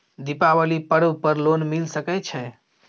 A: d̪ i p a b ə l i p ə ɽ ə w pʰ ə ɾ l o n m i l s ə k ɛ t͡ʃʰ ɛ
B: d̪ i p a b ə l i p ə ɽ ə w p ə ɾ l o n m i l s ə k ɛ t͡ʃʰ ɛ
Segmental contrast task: B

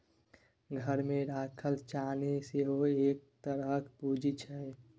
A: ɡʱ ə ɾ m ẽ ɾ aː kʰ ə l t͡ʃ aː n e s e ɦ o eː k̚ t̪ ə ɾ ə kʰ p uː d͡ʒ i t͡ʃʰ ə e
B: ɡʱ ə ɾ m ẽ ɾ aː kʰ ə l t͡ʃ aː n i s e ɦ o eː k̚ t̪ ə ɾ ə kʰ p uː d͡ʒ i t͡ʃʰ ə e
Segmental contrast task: A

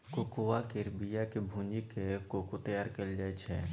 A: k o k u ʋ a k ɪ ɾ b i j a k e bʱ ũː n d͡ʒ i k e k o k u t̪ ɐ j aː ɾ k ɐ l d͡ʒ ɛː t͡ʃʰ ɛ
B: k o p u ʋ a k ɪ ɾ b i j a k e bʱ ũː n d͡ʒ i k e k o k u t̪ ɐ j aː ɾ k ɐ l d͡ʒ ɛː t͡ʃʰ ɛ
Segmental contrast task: A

